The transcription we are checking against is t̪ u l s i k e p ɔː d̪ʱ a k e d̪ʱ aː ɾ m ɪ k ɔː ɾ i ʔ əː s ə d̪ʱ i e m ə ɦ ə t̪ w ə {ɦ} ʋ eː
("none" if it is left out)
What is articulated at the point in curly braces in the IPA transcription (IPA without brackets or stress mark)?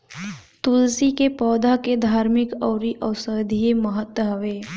ɦ